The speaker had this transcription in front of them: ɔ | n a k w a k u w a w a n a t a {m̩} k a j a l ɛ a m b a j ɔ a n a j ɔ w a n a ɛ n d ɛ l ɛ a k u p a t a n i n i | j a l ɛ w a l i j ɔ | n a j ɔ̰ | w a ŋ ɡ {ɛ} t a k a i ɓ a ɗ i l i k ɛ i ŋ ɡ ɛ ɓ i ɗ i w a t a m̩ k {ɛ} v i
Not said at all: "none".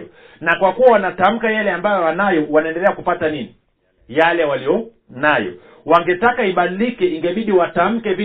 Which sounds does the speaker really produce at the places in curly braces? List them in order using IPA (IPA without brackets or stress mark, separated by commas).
m̩, ɛ, ɛ